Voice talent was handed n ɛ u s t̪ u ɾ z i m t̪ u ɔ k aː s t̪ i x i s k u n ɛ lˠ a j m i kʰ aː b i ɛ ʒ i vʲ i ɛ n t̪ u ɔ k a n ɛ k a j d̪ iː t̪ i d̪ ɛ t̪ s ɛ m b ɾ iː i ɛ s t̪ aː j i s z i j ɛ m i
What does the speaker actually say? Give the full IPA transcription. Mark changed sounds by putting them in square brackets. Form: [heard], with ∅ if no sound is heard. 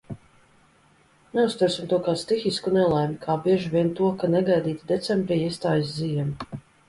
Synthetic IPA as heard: n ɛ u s t̪ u ɾ [s] i m t̪ u ɔ k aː s t̪ i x i s k u n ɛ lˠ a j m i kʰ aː b i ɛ ʒ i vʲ i ɛ n t̪ u ɔ k a n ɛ [ɡ] a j d̪ iː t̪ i d̪ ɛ t̪ s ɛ m b ɾ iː i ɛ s t̪ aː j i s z i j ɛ m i